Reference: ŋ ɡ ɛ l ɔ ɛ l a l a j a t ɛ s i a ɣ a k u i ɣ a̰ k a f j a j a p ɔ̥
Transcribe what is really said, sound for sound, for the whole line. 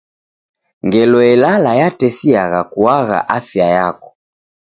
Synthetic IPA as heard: ŋ ɡ ɛ l ɔ ɛ l a l a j a t ɛ s i a ɣ a k u a ɣ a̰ ʔ a f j a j a k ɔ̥